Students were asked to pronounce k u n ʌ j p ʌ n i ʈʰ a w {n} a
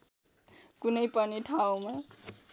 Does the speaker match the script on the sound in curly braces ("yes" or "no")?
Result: no